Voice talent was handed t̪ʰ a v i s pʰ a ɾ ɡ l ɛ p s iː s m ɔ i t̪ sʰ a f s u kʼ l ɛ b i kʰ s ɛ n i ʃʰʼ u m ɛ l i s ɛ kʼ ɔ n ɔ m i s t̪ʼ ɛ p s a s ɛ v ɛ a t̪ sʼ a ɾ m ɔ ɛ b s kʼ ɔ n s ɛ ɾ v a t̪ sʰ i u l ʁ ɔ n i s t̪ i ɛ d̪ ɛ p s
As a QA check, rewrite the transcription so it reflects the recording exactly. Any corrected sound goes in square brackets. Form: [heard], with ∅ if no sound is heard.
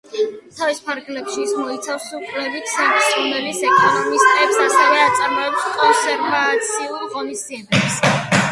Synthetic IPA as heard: t̪ʰ a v i s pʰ a ɾ ɡ l ɛ p [ʃ] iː s m ɔ i t̪ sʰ a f s u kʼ l ɛ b i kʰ s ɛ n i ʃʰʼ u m ɛ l i s ɛ kʼ ɔ n ɔ m i s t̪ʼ ɛ p s a s ɛ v ɛ a t̪ sʼ a ɾ m ɔ ɛ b s kʼ ɔ n s ɛ ɾ v a t̪ sʰ i u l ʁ ɔ n i s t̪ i ɛ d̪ ɛ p s